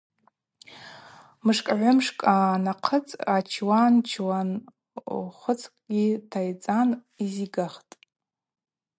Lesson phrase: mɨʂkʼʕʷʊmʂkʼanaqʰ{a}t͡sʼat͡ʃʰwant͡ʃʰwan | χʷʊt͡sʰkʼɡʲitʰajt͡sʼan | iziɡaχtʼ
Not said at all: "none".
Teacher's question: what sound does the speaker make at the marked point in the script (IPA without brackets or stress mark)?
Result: ə